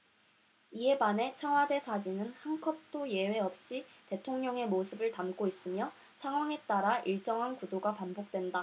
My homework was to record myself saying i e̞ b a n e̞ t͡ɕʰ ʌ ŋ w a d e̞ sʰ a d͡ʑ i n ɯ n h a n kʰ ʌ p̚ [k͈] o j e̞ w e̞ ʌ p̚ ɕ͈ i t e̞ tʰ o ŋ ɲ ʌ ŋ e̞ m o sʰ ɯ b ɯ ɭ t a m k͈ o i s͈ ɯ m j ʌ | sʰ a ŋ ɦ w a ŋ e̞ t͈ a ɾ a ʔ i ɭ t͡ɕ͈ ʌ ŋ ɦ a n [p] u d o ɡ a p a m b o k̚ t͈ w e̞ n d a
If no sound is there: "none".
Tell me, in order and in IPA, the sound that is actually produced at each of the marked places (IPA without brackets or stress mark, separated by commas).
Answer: t͈, k